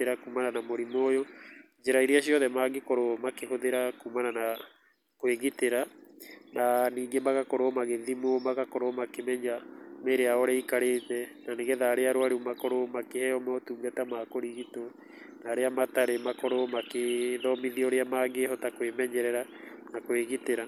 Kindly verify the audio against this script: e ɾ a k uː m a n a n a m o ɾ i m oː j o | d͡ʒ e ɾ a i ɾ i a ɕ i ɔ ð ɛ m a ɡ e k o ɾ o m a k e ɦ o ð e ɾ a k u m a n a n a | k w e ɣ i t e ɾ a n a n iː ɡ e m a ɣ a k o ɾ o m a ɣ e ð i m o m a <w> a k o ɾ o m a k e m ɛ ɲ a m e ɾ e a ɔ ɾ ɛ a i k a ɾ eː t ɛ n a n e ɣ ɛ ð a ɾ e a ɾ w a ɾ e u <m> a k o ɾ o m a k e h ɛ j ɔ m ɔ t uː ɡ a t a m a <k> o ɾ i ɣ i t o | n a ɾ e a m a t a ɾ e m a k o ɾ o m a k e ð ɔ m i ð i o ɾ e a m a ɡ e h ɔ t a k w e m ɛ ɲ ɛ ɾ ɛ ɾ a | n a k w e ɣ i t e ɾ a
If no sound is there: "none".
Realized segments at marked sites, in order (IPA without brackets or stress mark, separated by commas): ɣ, m, k